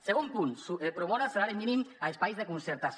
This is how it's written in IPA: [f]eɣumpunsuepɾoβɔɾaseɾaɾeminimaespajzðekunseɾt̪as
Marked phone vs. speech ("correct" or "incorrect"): incorrect